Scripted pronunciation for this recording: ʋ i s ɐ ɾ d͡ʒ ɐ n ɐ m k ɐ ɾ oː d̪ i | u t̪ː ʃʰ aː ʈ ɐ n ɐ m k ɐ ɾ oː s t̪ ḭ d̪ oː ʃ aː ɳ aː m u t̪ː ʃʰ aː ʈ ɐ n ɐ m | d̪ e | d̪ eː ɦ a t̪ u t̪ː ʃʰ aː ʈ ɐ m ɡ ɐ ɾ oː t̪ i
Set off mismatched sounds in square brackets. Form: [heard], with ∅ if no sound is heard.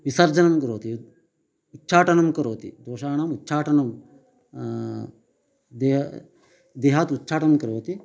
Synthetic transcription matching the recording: ʋ i s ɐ ɾ d͡ʒ ɐ n ɐ m k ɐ ɾ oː [t̪] i | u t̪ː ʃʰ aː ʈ ɐ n ɐ m k ɐ ɾ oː [∅] t̪ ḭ d̪ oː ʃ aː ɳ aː m u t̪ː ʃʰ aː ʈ ɐ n ɐ m | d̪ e | d̪ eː ɦ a t̪ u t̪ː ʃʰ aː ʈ ɐ m [k] ɐ ɾ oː t̪ i